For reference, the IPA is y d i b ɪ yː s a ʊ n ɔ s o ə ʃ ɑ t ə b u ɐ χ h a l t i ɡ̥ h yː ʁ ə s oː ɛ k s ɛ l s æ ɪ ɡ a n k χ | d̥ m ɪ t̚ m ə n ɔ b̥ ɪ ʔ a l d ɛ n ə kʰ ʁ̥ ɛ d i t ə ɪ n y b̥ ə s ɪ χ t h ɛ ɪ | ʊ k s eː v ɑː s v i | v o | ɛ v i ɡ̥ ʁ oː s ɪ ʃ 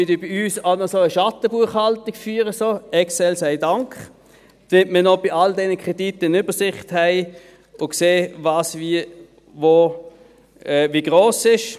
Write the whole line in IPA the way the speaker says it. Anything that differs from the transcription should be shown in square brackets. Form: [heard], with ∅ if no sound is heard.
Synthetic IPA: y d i b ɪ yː s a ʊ n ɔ s o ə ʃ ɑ t ə b u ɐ χ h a l t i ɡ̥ [f] yː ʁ ə s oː ɛ k s ɛ l s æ ɪ [d] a [ŋ] k χ | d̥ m ɪ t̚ m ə n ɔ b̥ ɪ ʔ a l d ɛ n ə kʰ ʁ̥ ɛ d i t ə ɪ n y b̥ ə s ɪ χ t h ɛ ɪ | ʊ k s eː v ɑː s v i | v o | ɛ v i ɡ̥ ʁ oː s ɪ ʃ